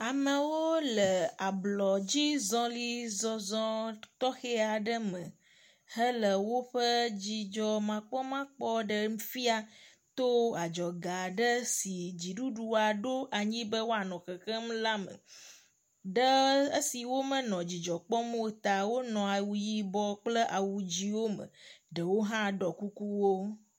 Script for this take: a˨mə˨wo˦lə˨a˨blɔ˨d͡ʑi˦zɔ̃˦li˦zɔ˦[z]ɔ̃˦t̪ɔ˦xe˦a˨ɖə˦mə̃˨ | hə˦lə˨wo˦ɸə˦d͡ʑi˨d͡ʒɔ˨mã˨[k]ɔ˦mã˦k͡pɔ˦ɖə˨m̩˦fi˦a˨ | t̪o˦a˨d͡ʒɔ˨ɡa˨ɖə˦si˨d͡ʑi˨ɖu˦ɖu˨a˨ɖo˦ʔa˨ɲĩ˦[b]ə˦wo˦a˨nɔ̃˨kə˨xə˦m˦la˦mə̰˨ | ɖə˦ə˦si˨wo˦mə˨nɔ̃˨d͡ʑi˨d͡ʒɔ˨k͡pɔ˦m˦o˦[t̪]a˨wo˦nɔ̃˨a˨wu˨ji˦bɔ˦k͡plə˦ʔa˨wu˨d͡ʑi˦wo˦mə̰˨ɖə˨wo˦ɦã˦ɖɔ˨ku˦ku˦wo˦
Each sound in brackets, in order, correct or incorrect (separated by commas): correct, incorrect, correct, correct